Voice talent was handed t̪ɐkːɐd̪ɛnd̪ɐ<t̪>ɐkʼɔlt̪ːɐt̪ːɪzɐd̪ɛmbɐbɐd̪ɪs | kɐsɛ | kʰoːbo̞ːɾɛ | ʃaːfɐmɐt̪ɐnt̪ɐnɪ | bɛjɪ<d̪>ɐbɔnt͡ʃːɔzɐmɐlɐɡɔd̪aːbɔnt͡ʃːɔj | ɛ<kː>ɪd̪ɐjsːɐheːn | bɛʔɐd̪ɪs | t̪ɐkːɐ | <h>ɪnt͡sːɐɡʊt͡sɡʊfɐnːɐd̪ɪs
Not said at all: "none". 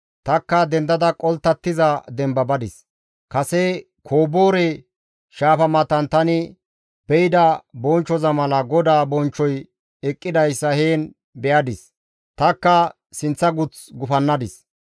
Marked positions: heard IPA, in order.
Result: d̪, d̪, kʼː, s

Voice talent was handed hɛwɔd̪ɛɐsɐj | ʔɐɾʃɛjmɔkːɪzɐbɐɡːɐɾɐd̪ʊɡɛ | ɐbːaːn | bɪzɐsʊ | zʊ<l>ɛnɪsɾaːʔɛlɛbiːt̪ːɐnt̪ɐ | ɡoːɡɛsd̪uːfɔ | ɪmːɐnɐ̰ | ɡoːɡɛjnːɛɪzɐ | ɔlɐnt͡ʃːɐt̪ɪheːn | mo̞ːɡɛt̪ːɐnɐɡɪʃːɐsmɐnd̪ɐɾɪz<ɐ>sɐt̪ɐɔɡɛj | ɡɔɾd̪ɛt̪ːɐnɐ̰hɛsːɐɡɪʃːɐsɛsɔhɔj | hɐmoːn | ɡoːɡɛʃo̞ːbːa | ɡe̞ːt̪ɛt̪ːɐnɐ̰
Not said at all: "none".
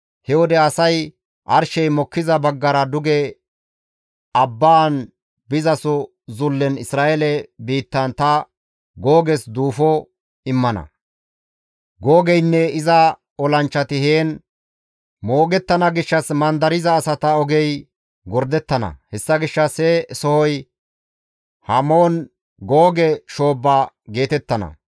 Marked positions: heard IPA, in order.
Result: lː, ɐː

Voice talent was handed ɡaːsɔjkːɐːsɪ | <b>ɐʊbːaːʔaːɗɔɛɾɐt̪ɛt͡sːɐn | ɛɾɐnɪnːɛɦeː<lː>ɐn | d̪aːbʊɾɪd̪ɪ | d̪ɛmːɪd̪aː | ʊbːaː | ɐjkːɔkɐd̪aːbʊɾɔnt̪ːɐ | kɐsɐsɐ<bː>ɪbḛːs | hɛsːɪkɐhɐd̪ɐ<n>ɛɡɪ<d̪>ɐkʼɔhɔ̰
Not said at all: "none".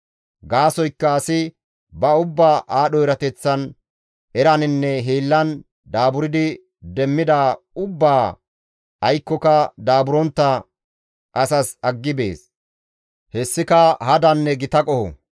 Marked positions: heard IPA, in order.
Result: b, lː, ɡː, nː, t̪

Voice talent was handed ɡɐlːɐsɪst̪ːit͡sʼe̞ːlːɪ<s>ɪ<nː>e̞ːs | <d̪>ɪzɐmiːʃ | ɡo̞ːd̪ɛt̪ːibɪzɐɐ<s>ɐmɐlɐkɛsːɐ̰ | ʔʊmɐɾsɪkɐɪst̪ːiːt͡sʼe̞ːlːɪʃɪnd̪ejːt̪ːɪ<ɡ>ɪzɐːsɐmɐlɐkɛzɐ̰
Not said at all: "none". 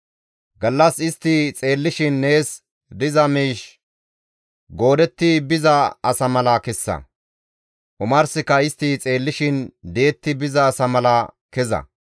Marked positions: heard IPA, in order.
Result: ʃ, nː, d̪, s, b

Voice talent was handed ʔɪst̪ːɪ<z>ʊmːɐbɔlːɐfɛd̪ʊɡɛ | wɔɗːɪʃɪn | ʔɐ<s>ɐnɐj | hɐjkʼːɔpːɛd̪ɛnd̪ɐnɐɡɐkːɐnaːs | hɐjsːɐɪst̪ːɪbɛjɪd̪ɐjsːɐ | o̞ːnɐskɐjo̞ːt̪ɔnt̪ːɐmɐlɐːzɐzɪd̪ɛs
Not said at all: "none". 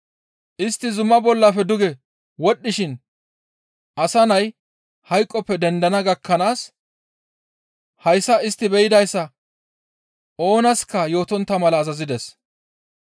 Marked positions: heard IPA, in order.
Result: z, s

